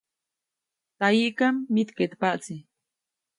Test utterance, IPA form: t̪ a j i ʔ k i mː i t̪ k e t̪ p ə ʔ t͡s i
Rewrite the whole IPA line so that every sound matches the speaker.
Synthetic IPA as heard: t̪ a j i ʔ k a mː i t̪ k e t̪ p a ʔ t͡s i